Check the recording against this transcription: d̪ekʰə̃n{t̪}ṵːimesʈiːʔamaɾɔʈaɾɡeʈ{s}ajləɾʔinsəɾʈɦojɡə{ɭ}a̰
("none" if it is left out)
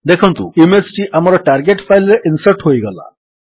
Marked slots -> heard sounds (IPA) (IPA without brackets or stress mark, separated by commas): t̪, f, l